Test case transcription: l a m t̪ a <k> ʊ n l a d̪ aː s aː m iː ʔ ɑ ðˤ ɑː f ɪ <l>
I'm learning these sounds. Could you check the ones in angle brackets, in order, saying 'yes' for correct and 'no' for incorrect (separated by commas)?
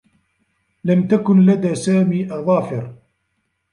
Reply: yes, no